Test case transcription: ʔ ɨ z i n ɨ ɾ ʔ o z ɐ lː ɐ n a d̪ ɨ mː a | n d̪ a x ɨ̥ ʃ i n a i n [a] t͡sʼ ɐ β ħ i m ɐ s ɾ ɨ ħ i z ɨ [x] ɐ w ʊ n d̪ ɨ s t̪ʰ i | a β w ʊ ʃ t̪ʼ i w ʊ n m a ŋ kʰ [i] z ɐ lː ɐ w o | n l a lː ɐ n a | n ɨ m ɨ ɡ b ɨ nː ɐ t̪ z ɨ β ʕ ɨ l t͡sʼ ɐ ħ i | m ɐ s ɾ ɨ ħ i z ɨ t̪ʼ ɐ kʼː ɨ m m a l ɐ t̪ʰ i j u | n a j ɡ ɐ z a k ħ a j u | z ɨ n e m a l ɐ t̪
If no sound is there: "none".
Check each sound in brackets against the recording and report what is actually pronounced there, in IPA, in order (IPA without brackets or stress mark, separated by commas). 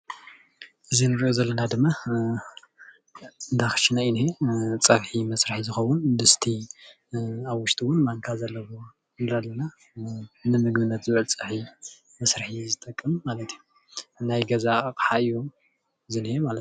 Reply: e, x, a